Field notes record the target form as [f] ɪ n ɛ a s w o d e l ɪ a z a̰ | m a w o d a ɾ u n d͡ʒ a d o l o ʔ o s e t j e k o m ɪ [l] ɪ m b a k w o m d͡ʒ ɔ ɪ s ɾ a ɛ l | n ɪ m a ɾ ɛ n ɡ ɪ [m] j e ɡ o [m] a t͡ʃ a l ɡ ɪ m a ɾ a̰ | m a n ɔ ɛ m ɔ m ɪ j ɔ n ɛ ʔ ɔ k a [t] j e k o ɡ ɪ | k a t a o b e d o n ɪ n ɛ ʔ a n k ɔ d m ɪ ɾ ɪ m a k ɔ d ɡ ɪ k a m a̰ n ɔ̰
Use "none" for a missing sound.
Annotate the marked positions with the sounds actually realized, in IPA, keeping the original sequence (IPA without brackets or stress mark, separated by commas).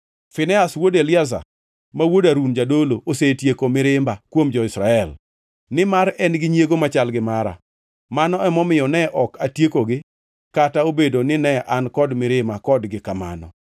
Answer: f, ɾ, ɲ, m, t